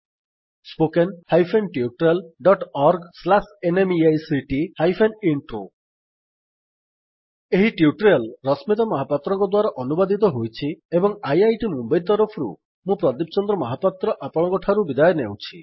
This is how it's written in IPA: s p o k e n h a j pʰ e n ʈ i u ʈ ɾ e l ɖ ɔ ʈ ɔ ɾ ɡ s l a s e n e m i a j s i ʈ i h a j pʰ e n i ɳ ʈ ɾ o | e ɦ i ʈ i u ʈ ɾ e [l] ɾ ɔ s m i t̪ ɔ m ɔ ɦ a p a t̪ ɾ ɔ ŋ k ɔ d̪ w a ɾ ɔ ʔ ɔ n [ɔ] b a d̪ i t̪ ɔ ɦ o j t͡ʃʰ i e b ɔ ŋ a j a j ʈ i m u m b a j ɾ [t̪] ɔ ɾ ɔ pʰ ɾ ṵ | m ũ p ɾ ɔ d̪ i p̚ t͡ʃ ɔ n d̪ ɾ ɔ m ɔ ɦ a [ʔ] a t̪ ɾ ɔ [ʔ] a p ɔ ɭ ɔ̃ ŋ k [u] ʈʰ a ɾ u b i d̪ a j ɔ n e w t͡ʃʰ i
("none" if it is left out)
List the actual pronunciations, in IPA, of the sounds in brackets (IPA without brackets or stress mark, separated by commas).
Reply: l, u, t̪, p, ʔ, ɔ